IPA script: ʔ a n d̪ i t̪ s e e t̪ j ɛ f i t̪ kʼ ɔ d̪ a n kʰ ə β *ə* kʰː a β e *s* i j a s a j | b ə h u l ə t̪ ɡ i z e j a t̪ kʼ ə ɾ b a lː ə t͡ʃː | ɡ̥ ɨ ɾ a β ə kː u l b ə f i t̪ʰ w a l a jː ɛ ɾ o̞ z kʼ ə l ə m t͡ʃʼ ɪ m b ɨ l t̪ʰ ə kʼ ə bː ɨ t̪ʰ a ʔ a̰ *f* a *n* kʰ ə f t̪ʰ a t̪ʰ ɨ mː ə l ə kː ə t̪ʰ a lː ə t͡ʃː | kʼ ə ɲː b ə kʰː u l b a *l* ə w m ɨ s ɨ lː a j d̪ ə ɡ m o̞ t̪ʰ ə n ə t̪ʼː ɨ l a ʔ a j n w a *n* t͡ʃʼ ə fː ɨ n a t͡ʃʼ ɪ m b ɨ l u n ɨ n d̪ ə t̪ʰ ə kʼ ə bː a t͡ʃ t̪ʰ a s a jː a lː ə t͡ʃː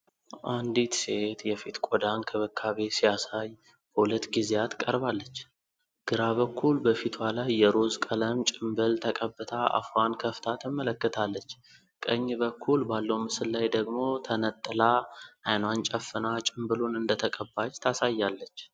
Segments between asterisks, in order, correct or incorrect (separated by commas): correct, correct, correct, correct, incorrect, correct